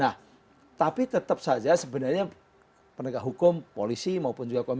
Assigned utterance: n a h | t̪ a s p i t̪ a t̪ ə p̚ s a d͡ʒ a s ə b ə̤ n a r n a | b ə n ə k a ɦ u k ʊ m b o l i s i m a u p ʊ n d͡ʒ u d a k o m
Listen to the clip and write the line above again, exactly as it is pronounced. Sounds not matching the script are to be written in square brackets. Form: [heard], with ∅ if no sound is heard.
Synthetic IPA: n a h | t̪ a [∅] p i t̪ [ə] t̪ ə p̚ s a d͡ʒ a s ə b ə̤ n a r [ɲ] a | [p] ə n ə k a ɦ u k ʊ m [p] o l i s i m a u p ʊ n d͡ʒ u [ɡ] a k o m

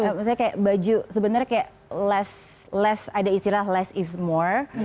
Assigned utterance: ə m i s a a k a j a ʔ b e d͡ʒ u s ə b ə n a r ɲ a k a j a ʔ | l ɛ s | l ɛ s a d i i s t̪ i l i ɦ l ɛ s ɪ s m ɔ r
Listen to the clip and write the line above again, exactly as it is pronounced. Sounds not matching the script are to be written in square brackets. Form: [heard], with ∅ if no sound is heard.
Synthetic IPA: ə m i s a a k a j a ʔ b [a] d͡ʒ u s ə b ə n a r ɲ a k a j a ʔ | l ɛ s | l ɛ s a d [a] i s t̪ i l [a] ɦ l ɛ s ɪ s m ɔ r

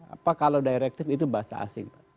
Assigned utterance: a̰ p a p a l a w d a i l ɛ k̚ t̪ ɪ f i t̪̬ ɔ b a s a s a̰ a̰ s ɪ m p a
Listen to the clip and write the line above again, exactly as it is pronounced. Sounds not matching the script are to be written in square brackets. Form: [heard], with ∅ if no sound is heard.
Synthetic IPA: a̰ p a [k] a l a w d a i [ɾ] ɛ k̚ t̪ ɪ f i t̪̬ [u] b a [∅] a s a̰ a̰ s ɪ [ŋ] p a

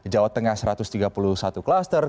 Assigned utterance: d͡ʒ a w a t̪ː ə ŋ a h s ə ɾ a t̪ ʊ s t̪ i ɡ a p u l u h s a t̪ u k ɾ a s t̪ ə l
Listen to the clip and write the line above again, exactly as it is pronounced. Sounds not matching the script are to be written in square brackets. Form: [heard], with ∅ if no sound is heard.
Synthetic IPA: d͡ʒ a w a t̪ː ə ŋ a h s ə ɾ a t̪ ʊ s t̪ i ɡ a p u l u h s a t̪ u k [l] a s t̪ ə [r]

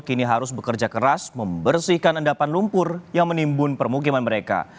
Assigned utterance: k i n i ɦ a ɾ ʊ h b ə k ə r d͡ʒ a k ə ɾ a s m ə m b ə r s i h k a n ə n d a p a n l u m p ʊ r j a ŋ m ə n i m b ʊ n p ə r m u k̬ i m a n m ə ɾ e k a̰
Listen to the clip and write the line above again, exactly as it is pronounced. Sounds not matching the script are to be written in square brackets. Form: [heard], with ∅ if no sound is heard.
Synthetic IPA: k i n i ɦ a ɾ ʊ [s] b ə k ə r d͡ʒ a k ə ɾ a s m ə m b ə r s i h k a n ə n d a p a n l u m p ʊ r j a ŋ m ə n i m b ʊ n p ə r m u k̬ i m a n m ə ɾ e k a̰

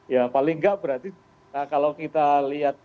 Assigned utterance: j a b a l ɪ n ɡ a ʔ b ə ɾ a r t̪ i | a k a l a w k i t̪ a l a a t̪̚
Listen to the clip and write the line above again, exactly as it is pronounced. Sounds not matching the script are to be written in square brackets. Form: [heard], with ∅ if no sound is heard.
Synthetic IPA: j a [p] a l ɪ [ŋ] ɡ a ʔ b ə ɾ a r t̪ i | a k a l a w k i t̪ a l [i] a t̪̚

